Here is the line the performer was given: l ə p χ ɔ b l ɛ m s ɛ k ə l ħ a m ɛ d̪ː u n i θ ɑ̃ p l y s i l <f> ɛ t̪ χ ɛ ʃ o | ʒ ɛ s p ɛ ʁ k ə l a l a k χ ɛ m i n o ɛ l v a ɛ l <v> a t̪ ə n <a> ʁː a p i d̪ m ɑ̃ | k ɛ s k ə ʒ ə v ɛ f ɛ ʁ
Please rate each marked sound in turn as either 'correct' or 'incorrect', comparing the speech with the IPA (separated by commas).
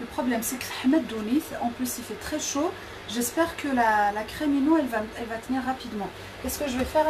correct, correct, incorrect